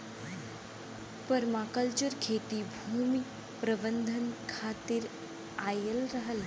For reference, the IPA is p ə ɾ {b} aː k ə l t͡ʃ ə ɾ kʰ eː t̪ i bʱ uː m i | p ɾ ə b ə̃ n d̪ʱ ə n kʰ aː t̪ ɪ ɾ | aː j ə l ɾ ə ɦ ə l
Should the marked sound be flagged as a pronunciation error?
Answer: yes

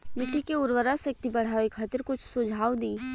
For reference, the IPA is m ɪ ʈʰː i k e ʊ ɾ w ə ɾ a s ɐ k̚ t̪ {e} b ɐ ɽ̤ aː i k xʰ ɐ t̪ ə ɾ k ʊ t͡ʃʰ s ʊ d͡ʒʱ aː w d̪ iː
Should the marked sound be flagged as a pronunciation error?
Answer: yes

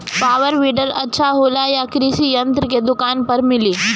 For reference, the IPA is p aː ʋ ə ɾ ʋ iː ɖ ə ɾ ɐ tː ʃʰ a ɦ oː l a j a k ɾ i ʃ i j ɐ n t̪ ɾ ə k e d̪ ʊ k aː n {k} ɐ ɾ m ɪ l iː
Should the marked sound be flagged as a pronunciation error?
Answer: yes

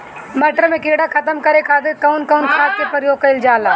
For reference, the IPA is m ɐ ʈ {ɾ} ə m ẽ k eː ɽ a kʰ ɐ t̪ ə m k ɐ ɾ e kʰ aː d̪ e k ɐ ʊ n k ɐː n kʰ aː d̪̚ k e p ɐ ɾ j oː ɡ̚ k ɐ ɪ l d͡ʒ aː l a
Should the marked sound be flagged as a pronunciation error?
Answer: no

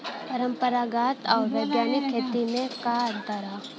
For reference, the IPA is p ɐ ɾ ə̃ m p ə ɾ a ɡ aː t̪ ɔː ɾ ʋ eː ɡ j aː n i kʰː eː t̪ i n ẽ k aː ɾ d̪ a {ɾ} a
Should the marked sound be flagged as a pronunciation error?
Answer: no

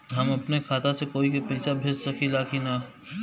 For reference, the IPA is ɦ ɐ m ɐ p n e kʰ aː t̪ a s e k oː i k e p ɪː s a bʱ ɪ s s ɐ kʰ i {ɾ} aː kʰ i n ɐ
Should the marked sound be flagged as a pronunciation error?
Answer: yes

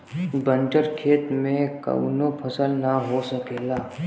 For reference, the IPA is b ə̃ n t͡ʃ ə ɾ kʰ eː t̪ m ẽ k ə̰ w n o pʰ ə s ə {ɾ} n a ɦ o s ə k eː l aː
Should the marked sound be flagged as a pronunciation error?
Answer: yes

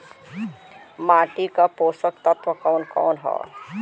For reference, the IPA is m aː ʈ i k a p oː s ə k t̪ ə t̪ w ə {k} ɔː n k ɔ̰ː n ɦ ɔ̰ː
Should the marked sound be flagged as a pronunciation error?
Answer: no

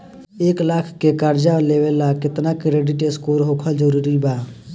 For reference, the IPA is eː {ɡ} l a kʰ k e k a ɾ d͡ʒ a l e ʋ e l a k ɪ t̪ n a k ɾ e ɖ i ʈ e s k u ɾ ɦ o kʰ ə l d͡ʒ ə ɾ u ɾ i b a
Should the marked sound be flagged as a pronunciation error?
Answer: yes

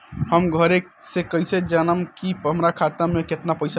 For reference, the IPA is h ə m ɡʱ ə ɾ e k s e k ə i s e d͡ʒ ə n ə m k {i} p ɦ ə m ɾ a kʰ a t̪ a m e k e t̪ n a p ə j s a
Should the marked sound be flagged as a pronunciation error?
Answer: no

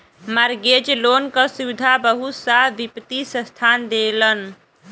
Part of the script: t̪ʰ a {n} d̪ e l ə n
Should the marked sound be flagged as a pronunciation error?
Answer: no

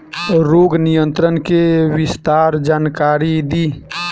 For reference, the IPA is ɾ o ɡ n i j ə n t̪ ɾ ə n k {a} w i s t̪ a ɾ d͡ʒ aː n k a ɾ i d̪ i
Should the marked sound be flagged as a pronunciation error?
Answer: yes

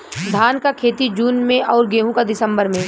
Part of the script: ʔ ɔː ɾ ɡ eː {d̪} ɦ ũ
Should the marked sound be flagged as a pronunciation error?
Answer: yes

